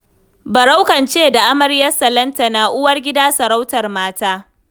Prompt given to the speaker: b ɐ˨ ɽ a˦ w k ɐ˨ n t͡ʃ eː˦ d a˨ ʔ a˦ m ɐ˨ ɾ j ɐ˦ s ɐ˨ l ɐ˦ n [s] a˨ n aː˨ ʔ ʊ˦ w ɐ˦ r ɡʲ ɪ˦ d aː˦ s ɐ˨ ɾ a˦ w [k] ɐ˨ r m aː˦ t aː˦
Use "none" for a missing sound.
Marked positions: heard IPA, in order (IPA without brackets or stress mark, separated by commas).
t, t